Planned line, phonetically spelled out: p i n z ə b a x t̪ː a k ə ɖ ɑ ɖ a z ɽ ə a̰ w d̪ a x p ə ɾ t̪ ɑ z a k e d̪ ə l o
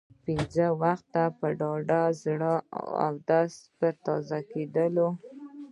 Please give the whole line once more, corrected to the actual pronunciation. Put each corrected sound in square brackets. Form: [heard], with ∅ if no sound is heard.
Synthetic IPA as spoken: p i n z ə [w] a x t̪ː a [p] ə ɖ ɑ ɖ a z ɽ ə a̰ w d̪ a [s] p ə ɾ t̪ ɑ z a k e d̪ ə l o